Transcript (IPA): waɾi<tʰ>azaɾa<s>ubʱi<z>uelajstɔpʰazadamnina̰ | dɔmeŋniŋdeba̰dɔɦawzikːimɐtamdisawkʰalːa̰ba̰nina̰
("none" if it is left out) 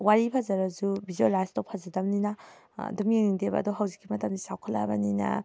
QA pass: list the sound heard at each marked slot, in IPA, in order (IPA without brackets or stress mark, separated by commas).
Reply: pʰ, z, z